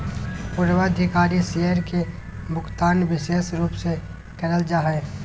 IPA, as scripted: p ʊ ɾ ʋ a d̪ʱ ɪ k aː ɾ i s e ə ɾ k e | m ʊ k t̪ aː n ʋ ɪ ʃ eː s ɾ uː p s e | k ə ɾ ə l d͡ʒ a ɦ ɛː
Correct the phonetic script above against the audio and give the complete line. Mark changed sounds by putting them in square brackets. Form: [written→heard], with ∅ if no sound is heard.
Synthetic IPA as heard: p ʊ ɾ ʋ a d̪ʱ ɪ k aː ɾ i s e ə ɾ k e | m ʊ k t̪ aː n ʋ ɪ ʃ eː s ɾ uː p s e | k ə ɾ ə l d͡ʒ a ɦ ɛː